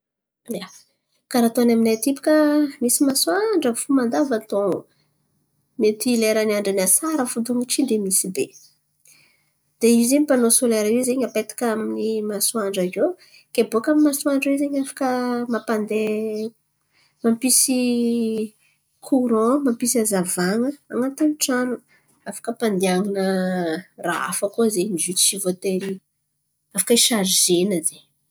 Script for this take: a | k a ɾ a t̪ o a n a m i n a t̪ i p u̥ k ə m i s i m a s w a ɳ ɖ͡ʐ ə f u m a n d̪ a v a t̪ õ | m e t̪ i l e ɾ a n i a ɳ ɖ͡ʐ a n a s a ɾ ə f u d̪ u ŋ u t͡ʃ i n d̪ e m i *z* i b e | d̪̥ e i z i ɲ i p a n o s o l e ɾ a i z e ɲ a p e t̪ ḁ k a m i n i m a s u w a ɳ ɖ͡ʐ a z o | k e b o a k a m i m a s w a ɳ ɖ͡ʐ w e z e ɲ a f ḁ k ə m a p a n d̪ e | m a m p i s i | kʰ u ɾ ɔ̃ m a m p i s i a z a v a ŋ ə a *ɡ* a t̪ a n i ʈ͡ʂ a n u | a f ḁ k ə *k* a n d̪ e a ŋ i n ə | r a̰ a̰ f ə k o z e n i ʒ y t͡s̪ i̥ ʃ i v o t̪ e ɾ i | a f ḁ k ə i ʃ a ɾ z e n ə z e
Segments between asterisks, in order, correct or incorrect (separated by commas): incorrect, incorrect, incorrect